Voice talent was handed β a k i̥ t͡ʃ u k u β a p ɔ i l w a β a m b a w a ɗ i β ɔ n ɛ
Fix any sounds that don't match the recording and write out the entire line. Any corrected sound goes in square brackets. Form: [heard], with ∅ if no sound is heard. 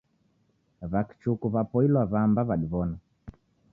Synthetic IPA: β a k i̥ t͡ʃ u k u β a p ɔ i l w a β a m b a [β] a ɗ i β ɔ n [a]